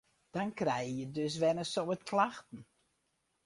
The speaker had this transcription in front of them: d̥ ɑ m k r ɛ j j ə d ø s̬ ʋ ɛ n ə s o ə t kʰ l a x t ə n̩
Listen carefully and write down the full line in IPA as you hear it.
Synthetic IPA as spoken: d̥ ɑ n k r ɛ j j ə d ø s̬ ʋ ɛ n ə s o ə t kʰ l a x t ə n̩